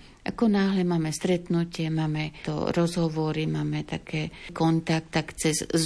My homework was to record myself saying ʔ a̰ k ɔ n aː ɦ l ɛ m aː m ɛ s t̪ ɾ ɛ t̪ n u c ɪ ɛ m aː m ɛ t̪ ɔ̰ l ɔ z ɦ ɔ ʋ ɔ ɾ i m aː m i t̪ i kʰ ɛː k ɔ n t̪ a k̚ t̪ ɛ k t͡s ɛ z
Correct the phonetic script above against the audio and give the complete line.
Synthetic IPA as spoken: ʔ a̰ k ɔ n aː ɦ l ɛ m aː m ɛ s t̪ ɾ ɛ t̪ n u c ɪ ɛ m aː m ɛ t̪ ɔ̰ ɾ ɔ z ɦ ɔ ʋ ɔ ɾ i m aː m ɛ t̪ a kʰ ɛː k ɔ n t̪ a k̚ t̪ a k t͡s ɛ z